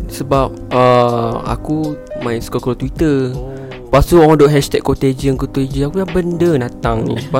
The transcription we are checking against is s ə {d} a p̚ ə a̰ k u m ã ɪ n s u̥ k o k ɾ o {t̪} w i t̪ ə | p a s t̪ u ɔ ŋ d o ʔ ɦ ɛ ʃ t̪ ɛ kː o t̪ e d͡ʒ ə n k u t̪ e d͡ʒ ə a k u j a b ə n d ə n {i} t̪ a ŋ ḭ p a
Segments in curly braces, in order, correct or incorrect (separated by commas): incorrect, correct, incorrect